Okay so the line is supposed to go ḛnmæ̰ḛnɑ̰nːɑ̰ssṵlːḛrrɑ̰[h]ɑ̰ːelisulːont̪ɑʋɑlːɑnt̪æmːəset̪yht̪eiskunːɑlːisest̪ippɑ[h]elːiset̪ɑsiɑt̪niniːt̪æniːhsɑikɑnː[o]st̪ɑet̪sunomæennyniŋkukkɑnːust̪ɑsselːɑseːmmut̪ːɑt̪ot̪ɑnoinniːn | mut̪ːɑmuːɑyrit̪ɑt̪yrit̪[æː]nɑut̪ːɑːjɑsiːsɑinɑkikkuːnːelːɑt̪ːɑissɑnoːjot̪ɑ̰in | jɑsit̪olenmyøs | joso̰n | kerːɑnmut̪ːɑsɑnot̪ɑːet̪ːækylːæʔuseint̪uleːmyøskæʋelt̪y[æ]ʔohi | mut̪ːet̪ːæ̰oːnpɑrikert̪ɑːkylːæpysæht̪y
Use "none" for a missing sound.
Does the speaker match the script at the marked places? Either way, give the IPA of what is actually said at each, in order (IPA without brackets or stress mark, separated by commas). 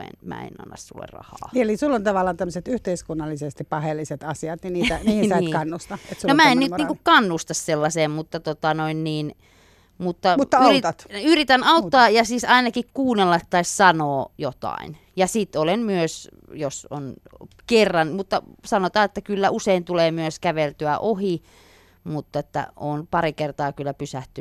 h, h, u, æ, æ